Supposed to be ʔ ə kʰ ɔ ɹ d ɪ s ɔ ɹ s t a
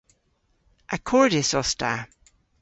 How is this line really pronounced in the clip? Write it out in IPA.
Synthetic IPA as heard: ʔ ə kʰ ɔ ɹ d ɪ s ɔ s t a